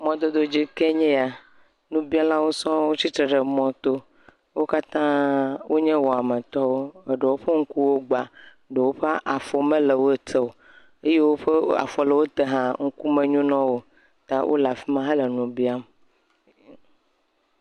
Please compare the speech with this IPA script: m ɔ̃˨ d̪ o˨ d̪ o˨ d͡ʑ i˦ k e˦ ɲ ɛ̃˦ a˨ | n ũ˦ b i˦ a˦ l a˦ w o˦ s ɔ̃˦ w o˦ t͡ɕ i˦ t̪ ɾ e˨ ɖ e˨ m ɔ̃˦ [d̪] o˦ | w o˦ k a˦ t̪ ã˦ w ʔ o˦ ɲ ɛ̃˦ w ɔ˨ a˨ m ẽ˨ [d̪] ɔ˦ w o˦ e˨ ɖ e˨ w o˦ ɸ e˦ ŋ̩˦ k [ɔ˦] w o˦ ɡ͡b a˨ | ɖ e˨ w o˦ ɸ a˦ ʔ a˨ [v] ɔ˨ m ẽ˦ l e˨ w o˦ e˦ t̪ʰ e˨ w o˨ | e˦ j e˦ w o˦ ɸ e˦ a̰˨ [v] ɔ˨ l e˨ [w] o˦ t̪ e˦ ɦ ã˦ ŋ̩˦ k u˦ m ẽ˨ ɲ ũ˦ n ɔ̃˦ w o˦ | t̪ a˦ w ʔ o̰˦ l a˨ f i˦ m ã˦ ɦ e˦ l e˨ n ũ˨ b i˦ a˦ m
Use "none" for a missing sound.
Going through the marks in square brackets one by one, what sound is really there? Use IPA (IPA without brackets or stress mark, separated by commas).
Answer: t̪, t̪, u˦, f, f, w